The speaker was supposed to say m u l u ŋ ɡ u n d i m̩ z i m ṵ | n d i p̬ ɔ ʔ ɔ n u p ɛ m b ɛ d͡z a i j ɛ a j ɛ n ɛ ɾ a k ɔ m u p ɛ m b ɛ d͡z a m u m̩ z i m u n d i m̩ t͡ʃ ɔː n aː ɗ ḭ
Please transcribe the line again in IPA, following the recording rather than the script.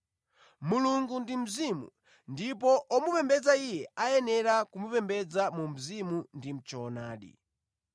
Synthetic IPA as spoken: m u l u ŋ ɡ u n d i m̩ z i m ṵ | n d i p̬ ɔ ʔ ɔ m u p ɛ m b ɛ d͡z a i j ɛ a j ɛ n ɛ ɾ a k u m u p ɛ m b ɛ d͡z a m u m̩ z i m u n d i m̩ t͡ʃ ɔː n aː ɗ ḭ